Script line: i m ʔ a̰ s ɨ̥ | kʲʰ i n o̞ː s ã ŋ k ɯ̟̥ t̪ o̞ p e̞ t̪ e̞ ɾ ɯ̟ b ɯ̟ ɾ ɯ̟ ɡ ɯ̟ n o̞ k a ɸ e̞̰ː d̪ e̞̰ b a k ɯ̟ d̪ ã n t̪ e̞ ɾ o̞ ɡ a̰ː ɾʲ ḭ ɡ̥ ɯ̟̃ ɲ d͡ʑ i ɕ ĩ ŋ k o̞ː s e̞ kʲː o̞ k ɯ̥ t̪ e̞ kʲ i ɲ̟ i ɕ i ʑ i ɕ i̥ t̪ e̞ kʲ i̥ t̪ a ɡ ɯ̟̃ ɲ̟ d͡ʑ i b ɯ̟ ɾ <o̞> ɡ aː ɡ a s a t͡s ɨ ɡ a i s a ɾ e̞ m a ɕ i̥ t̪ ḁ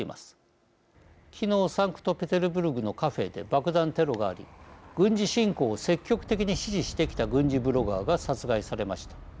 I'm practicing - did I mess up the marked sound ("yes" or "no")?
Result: no